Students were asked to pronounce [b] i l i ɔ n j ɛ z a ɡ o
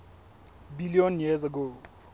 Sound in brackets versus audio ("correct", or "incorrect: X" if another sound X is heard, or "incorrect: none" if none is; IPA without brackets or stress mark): correct